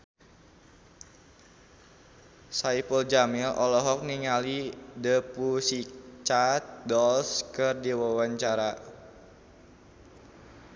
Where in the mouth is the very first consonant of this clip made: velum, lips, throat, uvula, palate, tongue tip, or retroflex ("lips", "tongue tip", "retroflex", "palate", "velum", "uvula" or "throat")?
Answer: tongue tip